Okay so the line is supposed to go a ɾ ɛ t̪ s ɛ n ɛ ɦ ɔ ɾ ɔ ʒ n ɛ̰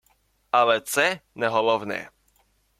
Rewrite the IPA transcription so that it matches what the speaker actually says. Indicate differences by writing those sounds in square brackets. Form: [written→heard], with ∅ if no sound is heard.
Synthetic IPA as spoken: a [ɾ→l] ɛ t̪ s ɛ n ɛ ɦ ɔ [ɾ→l] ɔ [ʒ→v] n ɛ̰